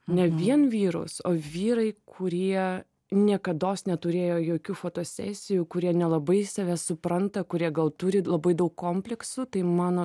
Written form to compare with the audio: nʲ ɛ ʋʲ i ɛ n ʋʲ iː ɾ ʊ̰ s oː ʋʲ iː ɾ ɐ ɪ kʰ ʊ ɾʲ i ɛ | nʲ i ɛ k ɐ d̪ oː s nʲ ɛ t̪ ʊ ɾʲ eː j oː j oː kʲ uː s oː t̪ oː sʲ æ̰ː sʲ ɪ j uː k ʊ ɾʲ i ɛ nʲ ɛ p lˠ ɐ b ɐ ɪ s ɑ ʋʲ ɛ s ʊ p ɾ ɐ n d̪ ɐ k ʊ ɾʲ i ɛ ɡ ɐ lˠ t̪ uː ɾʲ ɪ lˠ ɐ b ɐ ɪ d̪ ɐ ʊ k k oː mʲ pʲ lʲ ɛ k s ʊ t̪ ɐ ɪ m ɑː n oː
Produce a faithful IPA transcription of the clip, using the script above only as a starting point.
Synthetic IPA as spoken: nʲ ɛ ʋʲ i ɛ n ʋʲ iː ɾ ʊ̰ s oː ʋʲ iː ɾ ɐ ɪ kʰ ʊ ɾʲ i ɛ | nʲ i ɛ k ɐ d̪ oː s nʲ ɛ t̪ ʊ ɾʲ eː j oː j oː kʲ uː f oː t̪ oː sʲ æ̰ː sʲ ɪ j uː k ʊ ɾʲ i ɛ nʲ ɛ lˠ ɐ b ɐ ɪ s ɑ ʋʲ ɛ s ʊ p ɾ ɐ n t̪ ɐ k ʊ ɾʲ i ɛ ɡ ɐ lˠ t̪ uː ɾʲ ɪ lˠ ɐ b ɐ ɪ d̪ ɐ ʊ k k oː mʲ pʲ lʲ ɛ k s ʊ t̪ ɐ ɪ m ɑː n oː